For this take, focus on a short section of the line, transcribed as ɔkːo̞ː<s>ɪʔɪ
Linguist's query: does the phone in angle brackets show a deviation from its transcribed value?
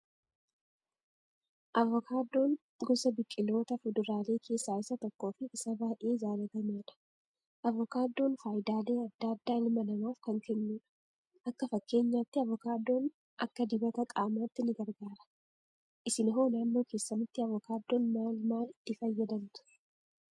yes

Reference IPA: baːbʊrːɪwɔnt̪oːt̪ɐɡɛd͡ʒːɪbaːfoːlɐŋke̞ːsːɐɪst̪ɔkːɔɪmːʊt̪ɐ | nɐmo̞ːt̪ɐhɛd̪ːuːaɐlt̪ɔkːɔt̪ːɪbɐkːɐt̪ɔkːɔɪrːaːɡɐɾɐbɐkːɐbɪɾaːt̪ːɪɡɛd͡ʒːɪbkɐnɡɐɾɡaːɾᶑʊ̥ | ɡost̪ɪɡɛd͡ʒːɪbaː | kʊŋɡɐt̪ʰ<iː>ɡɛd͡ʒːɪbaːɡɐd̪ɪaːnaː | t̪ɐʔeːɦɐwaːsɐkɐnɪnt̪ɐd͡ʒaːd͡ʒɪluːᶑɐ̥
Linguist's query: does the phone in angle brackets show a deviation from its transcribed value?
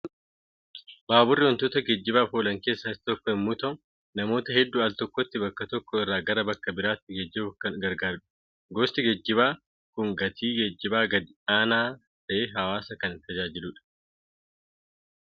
no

